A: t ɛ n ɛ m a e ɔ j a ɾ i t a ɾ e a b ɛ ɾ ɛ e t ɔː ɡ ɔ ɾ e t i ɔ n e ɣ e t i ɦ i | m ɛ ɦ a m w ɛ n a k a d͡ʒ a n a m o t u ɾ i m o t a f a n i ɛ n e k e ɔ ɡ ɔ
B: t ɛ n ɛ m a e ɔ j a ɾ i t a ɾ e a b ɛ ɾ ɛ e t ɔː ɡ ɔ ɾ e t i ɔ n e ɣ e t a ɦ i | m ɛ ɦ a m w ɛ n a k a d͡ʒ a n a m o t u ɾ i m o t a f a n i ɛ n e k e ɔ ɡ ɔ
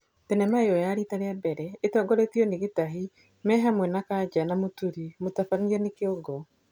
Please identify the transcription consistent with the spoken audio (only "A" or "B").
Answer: B